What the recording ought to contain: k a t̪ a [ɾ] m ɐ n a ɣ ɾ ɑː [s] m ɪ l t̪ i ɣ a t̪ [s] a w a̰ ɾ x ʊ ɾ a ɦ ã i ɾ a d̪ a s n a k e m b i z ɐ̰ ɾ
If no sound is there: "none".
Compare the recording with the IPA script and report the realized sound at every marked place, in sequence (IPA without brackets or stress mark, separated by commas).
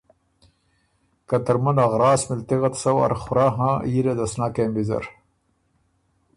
ɾ, s, s